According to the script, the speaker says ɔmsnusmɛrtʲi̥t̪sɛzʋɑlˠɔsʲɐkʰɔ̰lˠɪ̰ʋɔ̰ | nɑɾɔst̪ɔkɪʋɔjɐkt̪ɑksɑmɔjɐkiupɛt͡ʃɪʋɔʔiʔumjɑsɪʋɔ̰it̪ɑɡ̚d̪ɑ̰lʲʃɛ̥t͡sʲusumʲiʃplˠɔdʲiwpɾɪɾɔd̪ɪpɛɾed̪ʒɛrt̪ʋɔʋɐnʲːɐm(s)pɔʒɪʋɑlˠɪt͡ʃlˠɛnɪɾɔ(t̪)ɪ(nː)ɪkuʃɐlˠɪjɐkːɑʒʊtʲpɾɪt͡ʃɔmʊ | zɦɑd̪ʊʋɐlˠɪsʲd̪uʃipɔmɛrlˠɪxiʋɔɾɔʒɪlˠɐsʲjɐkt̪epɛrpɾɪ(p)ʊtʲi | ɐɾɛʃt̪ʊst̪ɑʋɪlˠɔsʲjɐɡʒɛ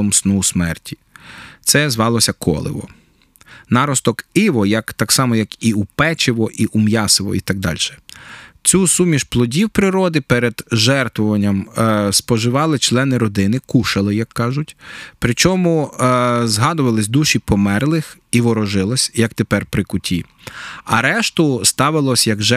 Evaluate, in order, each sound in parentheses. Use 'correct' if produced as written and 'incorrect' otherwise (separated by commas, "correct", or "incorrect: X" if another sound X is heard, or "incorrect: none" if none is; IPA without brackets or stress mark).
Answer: correct, incorrect: d̪, incorrect: n, incorrect: k